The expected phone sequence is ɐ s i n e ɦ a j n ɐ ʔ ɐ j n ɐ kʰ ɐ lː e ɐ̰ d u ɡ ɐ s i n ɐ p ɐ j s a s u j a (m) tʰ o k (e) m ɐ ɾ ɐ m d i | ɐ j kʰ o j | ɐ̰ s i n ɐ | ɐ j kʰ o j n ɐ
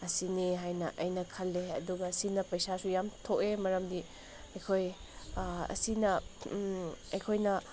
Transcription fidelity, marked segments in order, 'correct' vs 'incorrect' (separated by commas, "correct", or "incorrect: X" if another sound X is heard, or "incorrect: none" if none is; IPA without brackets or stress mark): correct, correct